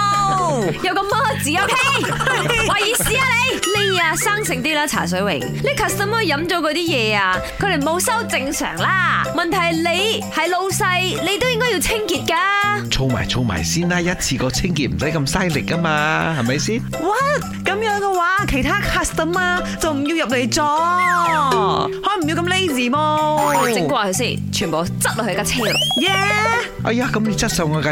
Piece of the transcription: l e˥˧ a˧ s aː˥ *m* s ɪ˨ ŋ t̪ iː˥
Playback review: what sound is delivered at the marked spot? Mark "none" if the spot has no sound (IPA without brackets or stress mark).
ŋ